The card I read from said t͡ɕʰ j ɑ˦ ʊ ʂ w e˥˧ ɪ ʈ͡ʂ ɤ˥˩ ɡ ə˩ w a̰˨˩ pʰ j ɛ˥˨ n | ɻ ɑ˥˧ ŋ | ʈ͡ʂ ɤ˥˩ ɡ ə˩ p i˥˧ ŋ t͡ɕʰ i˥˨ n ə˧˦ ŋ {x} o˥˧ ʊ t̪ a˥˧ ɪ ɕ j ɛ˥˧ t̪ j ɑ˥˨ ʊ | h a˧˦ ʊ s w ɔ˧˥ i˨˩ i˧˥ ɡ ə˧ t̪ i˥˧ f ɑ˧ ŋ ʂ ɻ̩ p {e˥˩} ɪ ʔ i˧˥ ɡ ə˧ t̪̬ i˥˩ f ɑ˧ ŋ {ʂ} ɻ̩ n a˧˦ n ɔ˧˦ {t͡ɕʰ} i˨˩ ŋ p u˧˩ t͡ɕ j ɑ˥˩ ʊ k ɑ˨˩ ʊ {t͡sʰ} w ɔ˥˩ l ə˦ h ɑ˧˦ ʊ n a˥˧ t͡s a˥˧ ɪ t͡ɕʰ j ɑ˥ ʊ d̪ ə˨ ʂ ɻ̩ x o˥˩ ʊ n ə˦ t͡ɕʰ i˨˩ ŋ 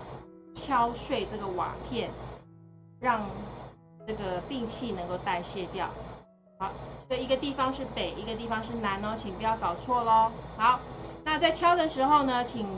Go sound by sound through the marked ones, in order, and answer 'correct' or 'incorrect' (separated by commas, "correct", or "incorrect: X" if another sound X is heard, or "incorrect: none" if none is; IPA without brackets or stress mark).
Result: incorrect: k, incorrect: e˨˩, correct, correct, correct